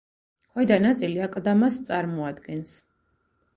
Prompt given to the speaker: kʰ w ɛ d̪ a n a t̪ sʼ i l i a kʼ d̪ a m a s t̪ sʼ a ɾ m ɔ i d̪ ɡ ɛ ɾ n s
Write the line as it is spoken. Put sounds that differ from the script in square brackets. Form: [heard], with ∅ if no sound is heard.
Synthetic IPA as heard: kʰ w ɛ d̪ a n a t̪ sʼ i l i a kʼ d̪ a m a s t̪ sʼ a ɾ m ɔ [a] d̪ ɡ ɛ [∅] n s